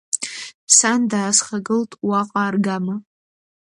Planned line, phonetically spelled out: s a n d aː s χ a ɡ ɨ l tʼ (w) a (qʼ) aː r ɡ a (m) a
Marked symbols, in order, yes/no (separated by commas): yes, yes, yes